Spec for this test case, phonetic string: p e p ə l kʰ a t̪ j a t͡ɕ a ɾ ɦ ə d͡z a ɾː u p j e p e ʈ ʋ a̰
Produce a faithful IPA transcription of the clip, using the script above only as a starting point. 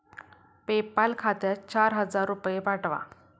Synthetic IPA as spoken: p e p a l kʰ a t̪ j a t͡ɕ a ɾ ɦ ə d͡z a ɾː u p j e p a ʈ ʋ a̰